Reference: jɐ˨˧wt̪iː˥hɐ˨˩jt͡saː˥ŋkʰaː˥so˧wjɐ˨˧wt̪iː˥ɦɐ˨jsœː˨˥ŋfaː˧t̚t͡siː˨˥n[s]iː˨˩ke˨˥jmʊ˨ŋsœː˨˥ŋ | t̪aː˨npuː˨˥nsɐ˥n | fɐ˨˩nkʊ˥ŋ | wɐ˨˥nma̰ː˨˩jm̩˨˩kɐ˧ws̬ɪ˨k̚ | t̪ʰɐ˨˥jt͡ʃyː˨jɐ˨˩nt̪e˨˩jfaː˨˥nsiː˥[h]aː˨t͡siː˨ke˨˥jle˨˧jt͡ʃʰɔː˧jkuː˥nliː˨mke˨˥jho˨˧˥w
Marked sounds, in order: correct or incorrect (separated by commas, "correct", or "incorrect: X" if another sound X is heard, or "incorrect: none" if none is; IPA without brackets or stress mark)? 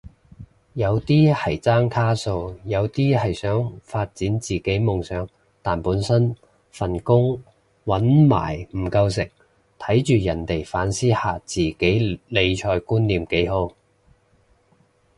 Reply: incorrect: t͡s, correct